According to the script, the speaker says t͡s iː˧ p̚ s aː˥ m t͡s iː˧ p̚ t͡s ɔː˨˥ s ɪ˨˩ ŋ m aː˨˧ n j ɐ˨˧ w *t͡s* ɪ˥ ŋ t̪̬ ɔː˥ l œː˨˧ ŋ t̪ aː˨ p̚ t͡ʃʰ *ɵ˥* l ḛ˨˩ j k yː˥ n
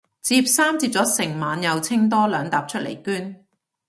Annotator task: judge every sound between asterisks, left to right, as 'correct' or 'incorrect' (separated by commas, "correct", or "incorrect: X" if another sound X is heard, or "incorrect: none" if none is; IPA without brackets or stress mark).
incorrect: t͡sʰ, correct